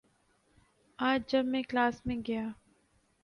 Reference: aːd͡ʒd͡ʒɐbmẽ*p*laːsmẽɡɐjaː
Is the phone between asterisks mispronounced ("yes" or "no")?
yes